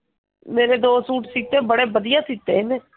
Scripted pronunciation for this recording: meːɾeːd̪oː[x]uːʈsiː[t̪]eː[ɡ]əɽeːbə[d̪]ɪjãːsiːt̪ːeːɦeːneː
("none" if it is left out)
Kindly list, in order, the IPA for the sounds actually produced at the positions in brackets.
s, t̪, b, d̪

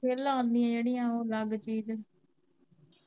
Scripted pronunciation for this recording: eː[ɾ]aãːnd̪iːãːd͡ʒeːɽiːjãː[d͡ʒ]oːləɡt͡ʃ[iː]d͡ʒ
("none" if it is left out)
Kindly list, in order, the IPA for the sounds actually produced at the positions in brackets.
l, none, iː

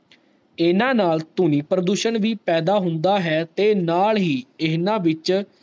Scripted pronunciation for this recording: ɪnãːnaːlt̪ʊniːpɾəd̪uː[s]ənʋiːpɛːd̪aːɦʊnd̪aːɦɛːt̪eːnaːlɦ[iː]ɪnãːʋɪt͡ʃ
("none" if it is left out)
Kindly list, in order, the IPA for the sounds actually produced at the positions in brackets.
ʃ, iː

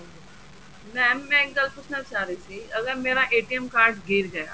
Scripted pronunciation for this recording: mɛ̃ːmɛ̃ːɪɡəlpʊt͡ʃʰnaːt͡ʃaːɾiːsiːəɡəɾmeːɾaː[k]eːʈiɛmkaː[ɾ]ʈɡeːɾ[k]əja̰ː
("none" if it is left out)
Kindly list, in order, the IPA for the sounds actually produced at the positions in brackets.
ʔ, ɾ, ɡ

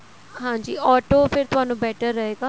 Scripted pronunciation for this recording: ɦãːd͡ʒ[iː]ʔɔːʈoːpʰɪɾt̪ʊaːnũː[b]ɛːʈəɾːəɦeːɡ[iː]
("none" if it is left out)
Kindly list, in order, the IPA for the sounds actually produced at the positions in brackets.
iː, b, aː

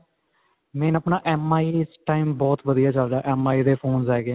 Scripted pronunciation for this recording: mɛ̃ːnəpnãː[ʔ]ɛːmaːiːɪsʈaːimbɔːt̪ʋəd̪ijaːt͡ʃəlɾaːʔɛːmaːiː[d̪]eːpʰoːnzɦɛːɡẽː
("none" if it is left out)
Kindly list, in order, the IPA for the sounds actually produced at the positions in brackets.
ʔ, d̪

